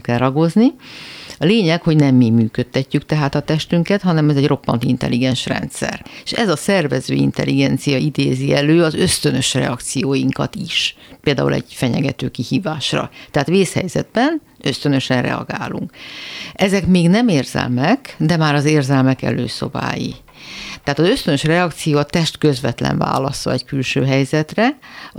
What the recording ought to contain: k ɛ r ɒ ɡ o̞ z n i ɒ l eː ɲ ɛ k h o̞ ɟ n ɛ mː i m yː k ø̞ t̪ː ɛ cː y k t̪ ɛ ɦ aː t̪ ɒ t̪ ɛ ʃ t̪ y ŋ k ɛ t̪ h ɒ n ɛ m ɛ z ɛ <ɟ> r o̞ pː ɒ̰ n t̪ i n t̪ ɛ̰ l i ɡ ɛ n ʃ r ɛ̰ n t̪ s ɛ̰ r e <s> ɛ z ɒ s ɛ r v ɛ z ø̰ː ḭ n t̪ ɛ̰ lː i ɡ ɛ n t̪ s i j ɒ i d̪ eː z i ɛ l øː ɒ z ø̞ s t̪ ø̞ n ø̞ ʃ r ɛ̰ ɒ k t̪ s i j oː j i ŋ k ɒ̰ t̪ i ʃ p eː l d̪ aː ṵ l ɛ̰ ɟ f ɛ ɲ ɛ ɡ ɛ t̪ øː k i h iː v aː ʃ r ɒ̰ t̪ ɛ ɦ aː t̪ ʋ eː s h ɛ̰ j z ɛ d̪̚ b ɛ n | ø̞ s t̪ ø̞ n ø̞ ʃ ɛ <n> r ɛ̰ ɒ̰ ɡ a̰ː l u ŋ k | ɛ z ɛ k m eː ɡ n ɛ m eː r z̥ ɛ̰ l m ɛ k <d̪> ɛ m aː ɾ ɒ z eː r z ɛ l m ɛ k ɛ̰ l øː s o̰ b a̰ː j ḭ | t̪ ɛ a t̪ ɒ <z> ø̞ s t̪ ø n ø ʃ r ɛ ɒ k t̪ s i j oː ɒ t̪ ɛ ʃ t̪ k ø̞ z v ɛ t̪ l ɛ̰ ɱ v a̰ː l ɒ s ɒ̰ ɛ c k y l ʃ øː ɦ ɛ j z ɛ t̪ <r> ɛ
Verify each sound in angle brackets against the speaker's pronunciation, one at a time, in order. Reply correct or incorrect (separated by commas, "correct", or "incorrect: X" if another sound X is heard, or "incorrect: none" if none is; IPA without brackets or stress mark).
correct, incorrect: ʃ, correct, correct, correct, correct